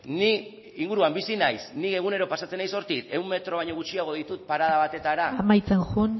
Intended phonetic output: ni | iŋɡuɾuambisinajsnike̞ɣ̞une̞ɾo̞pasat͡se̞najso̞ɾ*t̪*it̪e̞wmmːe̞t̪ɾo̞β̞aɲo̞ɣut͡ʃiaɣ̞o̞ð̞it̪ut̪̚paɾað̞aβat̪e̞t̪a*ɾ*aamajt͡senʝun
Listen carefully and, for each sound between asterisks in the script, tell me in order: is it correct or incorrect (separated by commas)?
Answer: correct, correct